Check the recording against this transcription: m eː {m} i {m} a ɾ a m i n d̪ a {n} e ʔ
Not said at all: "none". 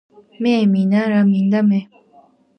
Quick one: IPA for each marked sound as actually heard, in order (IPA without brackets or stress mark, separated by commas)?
m, n, m